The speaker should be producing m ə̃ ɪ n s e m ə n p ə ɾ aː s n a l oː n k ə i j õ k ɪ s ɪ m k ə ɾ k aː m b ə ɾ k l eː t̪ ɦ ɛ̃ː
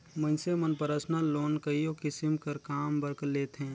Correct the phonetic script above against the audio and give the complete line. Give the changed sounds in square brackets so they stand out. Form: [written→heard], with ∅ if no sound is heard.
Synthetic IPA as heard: m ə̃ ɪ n s e m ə n p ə ɾ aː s n a l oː n k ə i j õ k ɪ s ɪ m k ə ɾ k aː m b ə ɾ k l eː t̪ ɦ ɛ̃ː